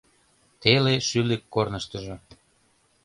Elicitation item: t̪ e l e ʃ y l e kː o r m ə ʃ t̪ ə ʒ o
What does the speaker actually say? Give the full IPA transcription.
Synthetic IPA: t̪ e l e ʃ y l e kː o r n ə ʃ t̪ ə ʒ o